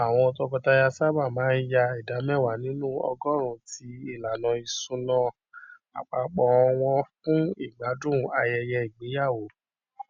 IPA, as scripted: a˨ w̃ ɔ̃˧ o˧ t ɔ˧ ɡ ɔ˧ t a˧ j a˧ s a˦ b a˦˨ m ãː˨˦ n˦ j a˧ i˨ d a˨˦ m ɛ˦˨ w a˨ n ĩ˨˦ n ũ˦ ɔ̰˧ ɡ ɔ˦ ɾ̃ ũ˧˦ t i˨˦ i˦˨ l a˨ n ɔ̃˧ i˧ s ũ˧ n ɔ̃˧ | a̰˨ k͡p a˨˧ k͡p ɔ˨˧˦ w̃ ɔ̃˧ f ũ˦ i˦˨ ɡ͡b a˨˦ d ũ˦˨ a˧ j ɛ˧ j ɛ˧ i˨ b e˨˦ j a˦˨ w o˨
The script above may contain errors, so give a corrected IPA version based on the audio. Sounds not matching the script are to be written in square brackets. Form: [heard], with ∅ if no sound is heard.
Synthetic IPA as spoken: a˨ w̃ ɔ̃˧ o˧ t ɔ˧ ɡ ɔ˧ t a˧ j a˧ s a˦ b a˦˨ m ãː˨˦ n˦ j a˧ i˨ d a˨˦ m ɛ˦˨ w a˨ n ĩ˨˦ n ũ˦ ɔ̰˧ ɡ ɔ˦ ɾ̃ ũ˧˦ t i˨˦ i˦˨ l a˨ n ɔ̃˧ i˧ s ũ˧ n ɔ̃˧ | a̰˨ k͡p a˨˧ k͡p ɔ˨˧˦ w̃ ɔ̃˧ f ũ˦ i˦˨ ɡ͡b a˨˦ d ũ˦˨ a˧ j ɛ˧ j ɛ˧ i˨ [ɡ͡b] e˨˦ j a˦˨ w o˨